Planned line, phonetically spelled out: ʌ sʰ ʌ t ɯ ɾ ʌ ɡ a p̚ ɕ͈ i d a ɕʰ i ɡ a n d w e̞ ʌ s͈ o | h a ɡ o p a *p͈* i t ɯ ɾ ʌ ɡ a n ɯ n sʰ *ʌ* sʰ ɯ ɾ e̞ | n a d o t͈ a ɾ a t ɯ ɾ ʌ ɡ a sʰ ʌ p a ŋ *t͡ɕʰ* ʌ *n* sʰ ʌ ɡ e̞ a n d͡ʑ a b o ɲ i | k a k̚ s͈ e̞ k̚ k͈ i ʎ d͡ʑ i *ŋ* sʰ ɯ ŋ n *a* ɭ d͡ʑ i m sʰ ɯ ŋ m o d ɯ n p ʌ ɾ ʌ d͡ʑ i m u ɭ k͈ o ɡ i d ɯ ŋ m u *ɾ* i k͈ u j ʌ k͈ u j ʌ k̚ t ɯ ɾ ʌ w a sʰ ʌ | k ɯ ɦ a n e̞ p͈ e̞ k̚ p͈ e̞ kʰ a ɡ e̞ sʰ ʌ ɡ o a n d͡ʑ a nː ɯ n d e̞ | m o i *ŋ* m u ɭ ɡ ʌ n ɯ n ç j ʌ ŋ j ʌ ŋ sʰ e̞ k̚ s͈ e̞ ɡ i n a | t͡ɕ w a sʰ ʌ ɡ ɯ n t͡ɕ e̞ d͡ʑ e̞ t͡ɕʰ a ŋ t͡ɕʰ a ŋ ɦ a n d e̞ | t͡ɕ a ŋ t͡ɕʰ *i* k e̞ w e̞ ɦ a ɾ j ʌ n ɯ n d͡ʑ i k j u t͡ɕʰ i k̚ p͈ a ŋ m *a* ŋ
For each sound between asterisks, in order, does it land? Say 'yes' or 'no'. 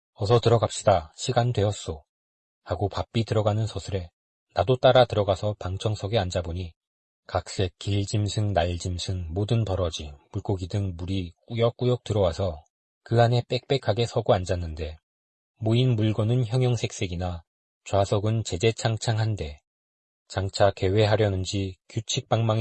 yes, yes, yes, no, no, yes, yes, no, no, yes

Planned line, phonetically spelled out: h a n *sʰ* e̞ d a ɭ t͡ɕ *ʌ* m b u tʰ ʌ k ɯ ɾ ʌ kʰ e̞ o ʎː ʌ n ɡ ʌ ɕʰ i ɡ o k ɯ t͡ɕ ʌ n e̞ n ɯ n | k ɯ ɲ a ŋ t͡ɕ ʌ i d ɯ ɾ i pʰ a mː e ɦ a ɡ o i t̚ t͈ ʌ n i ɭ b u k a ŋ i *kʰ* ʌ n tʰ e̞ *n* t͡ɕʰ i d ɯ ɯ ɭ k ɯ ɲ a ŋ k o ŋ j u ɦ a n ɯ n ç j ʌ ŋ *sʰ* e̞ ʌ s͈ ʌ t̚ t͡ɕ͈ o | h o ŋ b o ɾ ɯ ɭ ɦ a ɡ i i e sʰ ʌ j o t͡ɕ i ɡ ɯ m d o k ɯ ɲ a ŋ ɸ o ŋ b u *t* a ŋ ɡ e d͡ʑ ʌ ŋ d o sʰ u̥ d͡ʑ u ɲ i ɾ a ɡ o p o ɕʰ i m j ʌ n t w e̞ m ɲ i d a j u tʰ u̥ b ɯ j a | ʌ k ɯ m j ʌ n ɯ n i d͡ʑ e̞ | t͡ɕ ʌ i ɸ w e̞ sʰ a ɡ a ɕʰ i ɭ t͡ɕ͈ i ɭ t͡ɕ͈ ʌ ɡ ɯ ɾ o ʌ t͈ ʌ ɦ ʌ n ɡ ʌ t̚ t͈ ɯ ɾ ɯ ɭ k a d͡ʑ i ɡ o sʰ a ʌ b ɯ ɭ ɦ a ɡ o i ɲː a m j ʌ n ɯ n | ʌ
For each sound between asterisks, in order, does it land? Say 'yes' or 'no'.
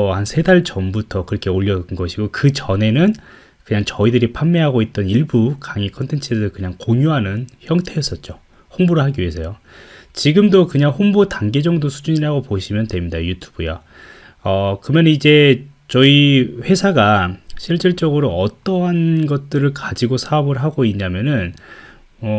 yes, yes, yes, yes, no, yes

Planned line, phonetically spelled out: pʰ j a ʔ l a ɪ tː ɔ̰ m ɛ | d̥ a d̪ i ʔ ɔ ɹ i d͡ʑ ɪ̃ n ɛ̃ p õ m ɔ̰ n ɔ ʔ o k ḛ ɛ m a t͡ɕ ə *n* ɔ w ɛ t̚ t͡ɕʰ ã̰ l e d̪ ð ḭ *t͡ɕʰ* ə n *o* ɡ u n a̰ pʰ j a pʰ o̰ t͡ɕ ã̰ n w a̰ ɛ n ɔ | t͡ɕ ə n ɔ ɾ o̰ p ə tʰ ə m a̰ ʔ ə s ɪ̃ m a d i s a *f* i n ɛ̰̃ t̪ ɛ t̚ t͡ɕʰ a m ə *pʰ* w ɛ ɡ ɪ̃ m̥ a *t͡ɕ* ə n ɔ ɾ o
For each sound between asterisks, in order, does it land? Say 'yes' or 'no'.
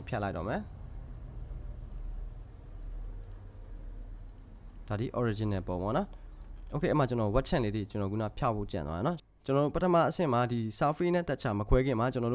yes, no, no, yes, no, yes

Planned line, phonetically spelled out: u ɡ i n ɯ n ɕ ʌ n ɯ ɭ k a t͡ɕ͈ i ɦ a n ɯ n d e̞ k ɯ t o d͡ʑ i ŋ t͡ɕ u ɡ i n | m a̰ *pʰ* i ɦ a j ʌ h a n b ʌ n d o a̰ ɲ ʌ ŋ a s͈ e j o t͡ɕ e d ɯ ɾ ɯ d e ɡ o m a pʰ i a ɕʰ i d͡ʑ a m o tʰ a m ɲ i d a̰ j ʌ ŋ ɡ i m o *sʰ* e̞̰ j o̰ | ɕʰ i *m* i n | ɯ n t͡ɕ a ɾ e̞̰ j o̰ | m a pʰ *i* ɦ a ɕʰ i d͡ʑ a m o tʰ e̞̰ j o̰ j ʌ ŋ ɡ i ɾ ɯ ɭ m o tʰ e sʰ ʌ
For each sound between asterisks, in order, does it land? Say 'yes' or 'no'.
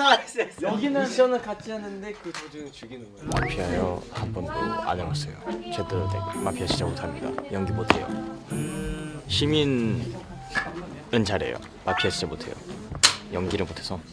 yes, no, yes, yes

